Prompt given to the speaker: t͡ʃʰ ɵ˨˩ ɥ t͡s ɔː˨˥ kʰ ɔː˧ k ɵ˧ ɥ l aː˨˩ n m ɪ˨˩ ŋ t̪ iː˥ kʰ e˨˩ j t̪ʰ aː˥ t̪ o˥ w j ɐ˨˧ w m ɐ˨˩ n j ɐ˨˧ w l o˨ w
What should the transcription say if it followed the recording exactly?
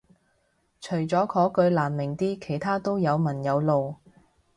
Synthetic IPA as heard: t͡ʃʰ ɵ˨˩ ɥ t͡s ɔː˨˥ kʰ ɔː˨˥ k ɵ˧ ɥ l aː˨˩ n m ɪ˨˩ ŋ t̪ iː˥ kʰ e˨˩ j t̪ʰ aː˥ t̪ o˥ w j ɐ˨˧ w m ɐ˨˩ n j ɐ˨˧ w l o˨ w